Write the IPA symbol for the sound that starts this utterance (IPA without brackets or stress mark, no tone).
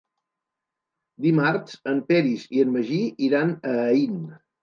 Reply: d̪